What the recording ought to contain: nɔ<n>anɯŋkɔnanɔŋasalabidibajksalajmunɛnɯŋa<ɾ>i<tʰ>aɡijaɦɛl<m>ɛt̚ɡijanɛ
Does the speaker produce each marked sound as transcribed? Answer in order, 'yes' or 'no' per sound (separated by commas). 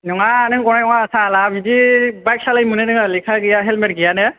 no, no, no, yes